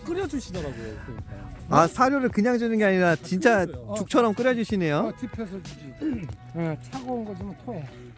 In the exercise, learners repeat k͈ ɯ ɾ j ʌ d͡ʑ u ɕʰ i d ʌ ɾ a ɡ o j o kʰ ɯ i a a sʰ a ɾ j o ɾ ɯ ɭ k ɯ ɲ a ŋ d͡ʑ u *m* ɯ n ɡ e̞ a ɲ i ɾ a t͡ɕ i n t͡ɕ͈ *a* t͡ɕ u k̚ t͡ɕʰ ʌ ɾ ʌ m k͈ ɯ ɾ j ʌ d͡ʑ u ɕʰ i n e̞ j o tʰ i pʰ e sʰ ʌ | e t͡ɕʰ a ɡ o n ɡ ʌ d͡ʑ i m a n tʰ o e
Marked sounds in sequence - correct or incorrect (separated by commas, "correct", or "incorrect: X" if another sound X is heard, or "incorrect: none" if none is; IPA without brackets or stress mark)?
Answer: incorrect: n, correct